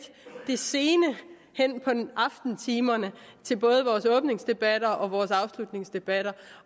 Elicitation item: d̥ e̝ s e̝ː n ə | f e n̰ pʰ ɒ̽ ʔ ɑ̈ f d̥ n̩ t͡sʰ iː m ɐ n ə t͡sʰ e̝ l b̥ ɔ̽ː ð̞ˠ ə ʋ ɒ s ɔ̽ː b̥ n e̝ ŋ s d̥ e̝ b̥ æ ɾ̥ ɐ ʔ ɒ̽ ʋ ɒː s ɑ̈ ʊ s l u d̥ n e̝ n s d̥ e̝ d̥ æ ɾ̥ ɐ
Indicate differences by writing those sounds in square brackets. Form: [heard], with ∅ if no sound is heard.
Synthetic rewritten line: d̥ e̝ s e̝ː n ə | [h] e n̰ pʰ ɒ̽ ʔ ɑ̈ f d̥ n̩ t͡sʰ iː m ɐ n ə t͡sʰ e̝ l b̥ ɔ̽ː ð̞ˠ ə ʋ [ɒː] s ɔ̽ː b̥ n e̝ ŋ s d̥ e̝ b̥ æ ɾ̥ ɐ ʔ ɒ̽ ʋ ɒː s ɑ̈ ʊ s l u d̥ n e̝ [ŋ] s d̥ e̝ [b̥] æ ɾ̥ ɐ